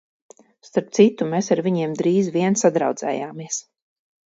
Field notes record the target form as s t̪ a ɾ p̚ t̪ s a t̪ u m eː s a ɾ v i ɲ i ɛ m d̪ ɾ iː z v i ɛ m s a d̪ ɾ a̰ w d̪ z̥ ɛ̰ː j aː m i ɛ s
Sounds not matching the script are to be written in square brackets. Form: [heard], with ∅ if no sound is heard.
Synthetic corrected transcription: s t̪ a ɾ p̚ t̪ s [i] t̪ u m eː s a ɾ v i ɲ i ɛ m d̪ ɾ iː z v i ɛ [n] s a d̪ ɾ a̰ w d̪ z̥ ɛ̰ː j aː m i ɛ s